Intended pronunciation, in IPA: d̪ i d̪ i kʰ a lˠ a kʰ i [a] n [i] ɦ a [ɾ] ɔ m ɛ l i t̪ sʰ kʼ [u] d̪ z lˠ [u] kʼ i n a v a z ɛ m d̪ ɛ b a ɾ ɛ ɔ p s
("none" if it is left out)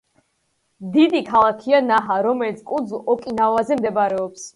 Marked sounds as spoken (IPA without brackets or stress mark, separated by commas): a, a, ɾ, u, ɔ